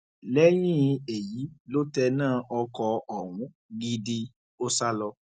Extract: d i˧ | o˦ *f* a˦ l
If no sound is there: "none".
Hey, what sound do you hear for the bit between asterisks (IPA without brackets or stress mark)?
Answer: s